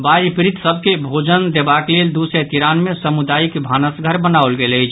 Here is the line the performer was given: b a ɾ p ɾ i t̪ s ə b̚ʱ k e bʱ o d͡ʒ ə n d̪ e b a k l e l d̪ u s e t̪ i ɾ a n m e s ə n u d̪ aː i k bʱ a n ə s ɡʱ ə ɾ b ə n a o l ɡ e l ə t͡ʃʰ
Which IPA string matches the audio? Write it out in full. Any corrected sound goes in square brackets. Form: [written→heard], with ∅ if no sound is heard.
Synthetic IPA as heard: b a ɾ p ɾ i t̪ s ə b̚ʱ k e bʱ o d͡ʒ ə n d̪ e b a k l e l d̪ u s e t̪ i ɾ a n m e s ə [n→m] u d̪ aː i k bʱ a n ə s ɡʱ ə ɾ b ə n a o l ɡ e l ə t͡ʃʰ